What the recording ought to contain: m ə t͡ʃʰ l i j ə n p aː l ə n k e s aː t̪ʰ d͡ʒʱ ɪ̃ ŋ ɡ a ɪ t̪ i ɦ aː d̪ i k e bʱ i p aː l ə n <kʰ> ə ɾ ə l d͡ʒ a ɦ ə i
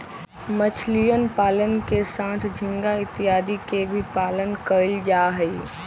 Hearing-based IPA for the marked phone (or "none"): k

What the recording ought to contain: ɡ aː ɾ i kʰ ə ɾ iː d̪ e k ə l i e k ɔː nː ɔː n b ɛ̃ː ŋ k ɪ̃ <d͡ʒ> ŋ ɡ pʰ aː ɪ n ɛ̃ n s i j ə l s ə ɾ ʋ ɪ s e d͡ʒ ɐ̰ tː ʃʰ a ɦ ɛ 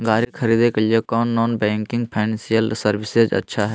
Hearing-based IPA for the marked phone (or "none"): none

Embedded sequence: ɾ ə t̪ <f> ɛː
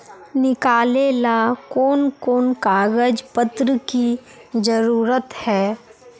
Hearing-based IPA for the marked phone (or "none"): h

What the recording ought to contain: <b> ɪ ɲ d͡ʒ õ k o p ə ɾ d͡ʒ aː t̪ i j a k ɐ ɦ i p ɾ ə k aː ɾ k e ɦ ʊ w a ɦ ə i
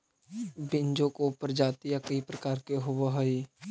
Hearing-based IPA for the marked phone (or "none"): b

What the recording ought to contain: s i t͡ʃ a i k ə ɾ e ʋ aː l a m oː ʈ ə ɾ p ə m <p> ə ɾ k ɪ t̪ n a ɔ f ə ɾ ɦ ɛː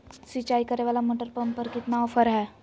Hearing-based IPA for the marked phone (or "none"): p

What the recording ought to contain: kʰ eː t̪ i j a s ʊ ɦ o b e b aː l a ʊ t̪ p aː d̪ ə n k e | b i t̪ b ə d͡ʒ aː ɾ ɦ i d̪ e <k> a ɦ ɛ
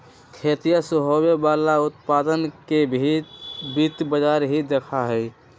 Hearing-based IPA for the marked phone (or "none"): kʰ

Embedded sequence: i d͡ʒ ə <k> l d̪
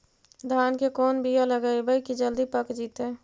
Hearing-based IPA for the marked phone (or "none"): none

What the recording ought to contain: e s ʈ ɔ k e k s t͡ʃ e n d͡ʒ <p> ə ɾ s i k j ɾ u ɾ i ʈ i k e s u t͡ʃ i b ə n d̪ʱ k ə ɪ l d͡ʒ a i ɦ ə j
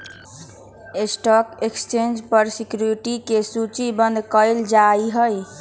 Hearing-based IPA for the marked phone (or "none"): p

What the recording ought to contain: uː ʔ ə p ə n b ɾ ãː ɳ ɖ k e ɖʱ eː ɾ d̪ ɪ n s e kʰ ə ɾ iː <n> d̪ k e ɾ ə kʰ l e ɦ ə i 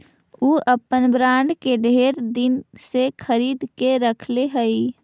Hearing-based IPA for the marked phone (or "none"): none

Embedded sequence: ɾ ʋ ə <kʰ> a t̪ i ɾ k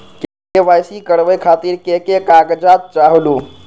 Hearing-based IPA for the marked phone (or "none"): kʰ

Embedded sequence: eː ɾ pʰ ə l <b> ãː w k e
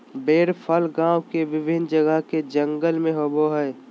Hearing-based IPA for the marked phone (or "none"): ɡ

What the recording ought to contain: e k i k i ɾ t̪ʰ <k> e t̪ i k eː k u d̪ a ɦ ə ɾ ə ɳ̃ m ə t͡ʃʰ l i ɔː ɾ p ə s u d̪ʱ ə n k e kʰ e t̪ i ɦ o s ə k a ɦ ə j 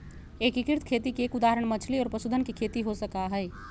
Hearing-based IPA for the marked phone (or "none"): kʰ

